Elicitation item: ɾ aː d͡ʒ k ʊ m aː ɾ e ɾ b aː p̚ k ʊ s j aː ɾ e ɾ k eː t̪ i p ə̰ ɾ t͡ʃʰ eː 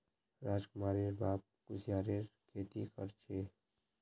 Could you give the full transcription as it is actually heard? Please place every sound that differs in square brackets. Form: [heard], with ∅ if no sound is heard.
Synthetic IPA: ɾ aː d͡ʒ k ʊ m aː ɾ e ɾ b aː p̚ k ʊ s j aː ɾ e ɾ [kʰ] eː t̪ i [k] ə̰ ɾ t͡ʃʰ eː